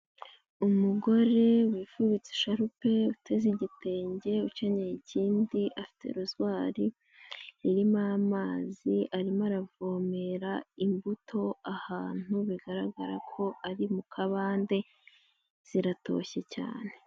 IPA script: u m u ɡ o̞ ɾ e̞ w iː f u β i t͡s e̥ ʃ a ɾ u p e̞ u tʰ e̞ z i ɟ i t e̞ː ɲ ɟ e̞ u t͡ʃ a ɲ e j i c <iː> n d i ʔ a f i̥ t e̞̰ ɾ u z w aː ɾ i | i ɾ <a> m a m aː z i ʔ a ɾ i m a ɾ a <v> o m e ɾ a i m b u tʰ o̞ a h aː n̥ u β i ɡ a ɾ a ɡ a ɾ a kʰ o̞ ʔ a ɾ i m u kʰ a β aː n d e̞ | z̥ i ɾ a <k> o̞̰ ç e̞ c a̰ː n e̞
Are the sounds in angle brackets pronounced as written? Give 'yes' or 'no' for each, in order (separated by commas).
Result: yes, no, yes, no